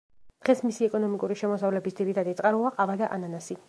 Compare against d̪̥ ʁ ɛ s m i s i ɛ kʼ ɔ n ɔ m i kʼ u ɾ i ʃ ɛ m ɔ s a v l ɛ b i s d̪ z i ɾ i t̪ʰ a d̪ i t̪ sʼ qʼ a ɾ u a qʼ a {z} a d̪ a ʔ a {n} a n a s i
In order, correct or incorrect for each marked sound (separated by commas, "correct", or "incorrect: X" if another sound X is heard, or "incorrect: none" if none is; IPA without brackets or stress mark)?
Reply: incorrect: v, correct